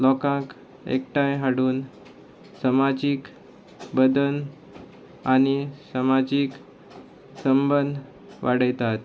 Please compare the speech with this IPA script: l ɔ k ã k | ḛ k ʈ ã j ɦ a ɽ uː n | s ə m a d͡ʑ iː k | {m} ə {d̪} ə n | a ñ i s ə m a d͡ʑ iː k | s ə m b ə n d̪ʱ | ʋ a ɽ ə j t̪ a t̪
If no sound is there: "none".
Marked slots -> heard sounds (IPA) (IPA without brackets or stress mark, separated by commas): b, d̪